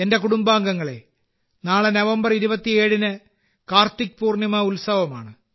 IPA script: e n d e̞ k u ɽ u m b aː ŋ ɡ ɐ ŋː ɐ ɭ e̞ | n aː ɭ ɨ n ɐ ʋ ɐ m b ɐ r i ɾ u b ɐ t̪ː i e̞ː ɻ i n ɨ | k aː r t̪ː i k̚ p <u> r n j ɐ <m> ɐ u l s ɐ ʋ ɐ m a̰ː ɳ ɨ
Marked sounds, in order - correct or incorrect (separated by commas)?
incorrect, correct